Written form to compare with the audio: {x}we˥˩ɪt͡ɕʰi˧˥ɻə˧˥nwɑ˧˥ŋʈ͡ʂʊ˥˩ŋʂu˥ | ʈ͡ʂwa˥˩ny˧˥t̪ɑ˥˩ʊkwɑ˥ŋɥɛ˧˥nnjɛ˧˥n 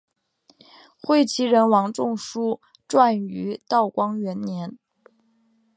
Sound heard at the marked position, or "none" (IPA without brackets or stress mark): x